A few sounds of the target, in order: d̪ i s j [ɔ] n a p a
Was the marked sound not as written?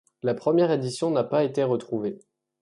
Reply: yes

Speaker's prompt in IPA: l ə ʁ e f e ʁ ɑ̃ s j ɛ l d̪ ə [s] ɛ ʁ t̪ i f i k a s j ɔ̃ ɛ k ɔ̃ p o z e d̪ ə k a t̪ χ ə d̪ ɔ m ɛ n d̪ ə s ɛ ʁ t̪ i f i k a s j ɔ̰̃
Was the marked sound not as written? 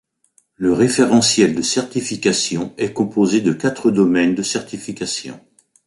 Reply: no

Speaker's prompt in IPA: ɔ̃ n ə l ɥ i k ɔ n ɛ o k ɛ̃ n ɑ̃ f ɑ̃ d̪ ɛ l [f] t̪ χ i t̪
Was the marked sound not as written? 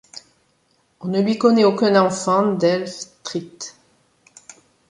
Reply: no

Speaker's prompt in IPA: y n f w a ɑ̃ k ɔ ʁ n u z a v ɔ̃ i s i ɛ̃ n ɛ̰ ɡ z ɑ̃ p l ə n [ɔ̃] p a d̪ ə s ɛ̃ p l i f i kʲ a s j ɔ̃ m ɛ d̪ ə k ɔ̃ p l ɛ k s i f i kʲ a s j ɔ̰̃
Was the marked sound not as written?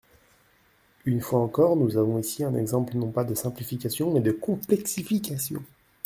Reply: no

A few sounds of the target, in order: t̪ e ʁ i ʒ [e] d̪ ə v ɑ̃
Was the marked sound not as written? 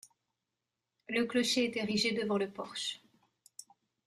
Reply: no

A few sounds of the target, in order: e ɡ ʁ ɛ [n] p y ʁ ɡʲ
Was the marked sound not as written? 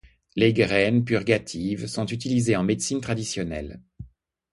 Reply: no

